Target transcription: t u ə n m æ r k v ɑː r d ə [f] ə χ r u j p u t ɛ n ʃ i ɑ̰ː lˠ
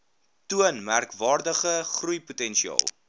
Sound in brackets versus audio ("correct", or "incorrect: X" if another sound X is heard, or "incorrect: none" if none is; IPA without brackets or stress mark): incorrect: χ